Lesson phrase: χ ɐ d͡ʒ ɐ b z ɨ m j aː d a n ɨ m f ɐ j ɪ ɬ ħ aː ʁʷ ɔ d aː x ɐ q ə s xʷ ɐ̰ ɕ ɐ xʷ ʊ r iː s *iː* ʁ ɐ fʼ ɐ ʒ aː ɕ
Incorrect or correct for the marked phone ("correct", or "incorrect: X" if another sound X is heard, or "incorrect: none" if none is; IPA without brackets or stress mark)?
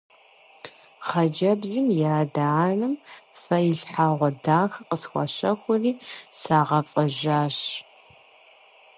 incorrect: aː